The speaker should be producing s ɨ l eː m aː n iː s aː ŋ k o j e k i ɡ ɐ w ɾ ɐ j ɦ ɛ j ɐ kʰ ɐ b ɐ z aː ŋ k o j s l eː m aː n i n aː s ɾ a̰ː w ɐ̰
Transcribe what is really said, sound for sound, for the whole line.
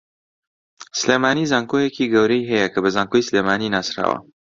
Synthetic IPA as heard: s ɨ l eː m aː n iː z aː ŋ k o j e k i ɡ ɐ w ɾ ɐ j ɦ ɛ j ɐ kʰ ɐ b ɐ z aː ŋ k o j s l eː m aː n i n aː s ɾ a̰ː w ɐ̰